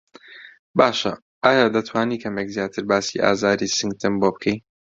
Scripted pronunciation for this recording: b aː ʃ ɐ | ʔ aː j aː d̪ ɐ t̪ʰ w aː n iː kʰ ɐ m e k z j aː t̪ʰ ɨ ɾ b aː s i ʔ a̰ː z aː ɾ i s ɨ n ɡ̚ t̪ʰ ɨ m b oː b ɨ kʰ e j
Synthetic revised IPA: b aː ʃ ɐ | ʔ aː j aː d̪ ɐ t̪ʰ w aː n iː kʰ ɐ m e k z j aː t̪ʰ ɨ ɾ b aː s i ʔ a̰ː z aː ɾ i s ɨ ŋ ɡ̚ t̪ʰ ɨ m b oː b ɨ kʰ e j